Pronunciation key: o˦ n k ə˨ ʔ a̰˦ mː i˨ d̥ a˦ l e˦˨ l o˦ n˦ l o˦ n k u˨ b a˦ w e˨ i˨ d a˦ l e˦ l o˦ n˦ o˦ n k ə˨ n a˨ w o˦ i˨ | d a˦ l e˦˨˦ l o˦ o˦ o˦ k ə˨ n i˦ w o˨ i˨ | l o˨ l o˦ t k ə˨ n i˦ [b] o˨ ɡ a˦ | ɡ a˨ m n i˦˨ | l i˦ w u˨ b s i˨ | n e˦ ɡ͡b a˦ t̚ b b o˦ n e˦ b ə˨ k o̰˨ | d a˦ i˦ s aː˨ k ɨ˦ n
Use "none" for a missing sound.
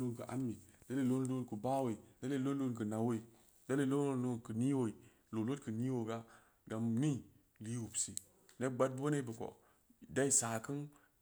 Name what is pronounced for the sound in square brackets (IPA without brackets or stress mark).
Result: w